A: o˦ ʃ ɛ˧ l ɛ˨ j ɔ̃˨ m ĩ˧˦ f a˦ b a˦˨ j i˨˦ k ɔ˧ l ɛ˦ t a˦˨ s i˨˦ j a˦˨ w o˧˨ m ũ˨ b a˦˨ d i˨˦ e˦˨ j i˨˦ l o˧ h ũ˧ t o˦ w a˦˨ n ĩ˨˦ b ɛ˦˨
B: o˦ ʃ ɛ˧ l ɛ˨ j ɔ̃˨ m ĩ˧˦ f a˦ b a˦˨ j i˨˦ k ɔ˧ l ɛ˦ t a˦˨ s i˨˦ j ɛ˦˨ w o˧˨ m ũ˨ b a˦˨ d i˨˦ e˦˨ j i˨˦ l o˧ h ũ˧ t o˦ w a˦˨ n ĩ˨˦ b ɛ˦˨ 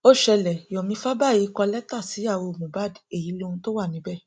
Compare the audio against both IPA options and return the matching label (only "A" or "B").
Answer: A